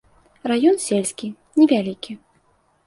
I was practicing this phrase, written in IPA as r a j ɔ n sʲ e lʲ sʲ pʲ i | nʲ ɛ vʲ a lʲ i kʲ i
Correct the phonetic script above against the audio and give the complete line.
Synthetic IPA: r a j ɔ n sʲ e lʲ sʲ kʲ i | nʲ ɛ vʲ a lʲ i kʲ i